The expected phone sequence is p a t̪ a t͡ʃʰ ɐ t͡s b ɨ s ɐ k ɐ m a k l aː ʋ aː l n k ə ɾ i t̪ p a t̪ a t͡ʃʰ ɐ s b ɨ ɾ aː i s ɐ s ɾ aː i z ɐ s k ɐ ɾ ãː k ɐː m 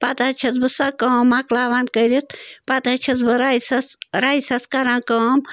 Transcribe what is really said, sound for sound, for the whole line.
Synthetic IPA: p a t̪ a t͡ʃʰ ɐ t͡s b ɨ s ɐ k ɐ m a k l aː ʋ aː n k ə ɾ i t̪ p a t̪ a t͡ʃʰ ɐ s b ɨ ɾ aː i s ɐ s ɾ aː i s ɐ s k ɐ ɾ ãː k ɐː m